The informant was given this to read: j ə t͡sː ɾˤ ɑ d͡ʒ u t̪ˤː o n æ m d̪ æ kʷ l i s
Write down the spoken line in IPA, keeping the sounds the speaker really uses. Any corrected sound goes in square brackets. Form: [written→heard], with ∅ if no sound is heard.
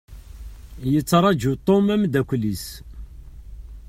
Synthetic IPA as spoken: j ə t͡sː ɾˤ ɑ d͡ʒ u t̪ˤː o [n→m] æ m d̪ æ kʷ l i s

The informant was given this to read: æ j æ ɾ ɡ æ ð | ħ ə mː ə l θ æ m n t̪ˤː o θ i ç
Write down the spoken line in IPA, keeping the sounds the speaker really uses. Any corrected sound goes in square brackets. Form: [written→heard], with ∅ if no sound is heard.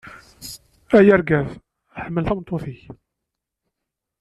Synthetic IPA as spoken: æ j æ ɾ ɡ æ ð | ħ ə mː ə l θ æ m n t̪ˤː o θ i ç

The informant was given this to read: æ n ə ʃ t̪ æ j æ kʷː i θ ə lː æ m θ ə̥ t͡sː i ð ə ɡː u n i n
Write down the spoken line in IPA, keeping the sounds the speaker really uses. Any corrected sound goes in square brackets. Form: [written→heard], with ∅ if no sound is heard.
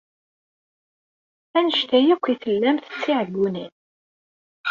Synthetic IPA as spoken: æ n ə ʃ t̪ æ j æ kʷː i θ ə lː æ m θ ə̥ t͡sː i [ð→ʕ] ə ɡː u n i n

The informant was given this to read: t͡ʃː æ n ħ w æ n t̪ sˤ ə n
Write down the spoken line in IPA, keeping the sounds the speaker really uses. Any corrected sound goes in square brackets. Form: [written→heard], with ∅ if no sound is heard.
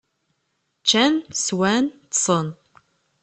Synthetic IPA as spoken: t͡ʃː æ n [ħ→s] w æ n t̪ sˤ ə n

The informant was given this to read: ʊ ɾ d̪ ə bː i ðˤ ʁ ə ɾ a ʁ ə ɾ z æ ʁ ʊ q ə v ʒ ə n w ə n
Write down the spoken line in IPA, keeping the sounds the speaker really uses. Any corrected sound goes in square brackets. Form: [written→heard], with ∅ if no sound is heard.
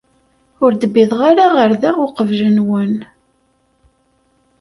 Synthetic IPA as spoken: ʊ ɾ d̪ ə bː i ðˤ ʁ [ə→a] ɾ a ʁ ə ɾ [z→ð] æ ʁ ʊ q ə v ʒ ə n w ə n

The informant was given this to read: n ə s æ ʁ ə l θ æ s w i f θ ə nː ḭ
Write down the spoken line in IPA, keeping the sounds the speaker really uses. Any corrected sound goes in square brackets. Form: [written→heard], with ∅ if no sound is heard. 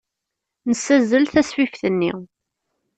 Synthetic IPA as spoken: n ə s æ [ʁ→z] ə l θ æ s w i f θ ə nː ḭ

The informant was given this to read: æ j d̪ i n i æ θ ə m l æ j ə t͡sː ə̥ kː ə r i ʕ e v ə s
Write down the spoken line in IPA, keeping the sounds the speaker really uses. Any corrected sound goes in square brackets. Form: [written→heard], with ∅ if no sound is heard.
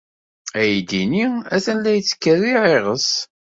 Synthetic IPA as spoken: æ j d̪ i n i æ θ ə [m→n] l æ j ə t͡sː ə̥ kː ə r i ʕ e [v→ʁ] ə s

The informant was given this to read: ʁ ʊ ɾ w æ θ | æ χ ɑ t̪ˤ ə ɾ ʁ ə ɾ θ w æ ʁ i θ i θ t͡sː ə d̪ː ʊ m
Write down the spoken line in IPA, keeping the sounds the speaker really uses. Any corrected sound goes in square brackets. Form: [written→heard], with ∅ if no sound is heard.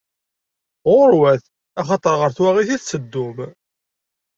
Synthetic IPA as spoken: ʁ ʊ ɾ w æ θ | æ χ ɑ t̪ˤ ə ɾ ʁ ə ɾ θ w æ ʁ i θ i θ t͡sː ə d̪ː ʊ m

